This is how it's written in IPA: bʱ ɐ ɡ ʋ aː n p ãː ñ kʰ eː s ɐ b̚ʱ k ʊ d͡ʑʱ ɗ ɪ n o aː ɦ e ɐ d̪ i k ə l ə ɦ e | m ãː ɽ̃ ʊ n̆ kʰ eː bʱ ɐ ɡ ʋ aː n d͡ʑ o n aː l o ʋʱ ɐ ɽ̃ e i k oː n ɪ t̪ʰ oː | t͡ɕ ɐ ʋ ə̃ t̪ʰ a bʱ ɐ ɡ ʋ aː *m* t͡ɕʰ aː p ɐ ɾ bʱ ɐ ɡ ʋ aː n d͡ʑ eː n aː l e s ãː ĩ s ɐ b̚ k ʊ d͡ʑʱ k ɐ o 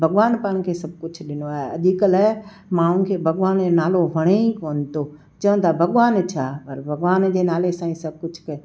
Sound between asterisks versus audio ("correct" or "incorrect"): incorrect